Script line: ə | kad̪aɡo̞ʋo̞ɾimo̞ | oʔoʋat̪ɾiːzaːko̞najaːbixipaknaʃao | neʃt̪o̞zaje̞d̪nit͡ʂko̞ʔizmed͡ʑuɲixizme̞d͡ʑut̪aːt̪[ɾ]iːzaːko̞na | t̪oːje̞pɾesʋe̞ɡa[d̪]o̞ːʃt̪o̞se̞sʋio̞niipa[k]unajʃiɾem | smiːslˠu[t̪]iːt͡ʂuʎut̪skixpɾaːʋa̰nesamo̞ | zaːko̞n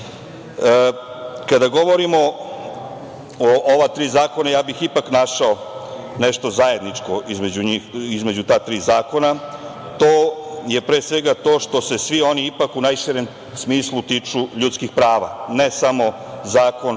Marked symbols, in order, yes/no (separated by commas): yes, no, yes, yes